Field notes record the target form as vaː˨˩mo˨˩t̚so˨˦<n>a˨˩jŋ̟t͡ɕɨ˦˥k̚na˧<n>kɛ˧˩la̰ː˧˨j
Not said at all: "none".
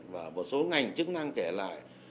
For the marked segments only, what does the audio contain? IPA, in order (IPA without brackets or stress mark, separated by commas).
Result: ŋ, ŋ